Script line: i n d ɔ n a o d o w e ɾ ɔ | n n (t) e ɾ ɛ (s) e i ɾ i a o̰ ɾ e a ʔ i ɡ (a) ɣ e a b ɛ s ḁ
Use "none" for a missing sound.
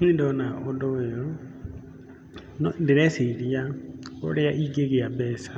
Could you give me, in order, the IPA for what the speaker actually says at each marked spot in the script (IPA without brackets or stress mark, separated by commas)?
d, s, e